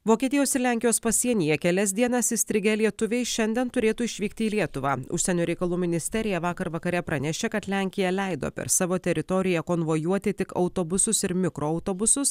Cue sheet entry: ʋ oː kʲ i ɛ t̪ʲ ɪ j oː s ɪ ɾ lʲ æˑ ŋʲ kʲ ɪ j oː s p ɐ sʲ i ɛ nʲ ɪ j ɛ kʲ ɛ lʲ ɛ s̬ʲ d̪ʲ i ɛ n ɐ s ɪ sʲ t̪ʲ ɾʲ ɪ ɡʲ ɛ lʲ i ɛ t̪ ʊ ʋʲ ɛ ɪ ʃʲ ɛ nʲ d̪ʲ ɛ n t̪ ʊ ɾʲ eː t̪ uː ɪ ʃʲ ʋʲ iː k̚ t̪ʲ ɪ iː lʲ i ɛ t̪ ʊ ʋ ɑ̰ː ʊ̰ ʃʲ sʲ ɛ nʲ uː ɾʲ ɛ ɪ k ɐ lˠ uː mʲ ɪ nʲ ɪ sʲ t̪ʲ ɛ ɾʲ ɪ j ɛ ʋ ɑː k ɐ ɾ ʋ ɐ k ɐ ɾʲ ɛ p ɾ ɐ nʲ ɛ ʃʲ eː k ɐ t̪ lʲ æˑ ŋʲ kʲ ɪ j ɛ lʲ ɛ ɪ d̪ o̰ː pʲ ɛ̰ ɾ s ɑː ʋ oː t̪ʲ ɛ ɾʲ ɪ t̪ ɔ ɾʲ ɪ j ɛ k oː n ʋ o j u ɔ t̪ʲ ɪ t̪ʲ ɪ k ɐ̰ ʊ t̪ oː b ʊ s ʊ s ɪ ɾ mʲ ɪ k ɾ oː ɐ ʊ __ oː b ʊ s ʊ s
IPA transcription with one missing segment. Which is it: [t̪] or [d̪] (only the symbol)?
t̪